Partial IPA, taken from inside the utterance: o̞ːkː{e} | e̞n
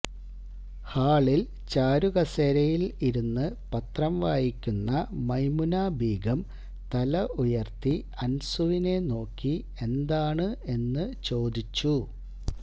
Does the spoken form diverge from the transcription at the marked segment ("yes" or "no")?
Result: yes